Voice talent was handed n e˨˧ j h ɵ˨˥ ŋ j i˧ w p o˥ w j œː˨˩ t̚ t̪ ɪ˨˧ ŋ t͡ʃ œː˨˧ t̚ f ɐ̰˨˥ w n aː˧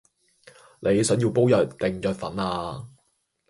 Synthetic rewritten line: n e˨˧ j s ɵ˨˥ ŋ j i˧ w p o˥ w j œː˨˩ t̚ t̪ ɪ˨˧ ŋ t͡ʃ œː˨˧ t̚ f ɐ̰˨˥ n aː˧